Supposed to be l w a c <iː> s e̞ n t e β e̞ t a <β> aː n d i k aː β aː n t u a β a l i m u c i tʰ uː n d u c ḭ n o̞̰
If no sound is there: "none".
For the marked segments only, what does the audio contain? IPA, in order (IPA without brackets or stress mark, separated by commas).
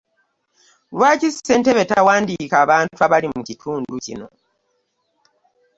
i, w